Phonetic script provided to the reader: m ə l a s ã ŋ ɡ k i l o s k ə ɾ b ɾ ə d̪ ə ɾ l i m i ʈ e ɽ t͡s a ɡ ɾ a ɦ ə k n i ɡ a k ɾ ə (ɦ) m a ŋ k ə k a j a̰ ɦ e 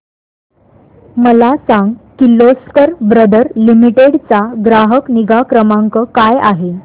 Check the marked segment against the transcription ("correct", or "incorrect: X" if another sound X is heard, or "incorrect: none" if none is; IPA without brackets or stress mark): incorrect: none